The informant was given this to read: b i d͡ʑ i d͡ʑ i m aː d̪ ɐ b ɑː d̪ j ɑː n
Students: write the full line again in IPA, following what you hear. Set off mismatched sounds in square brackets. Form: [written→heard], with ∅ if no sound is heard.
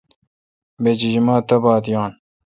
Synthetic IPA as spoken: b [i→e] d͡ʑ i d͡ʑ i m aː [d̪→t̪] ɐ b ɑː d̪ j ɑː n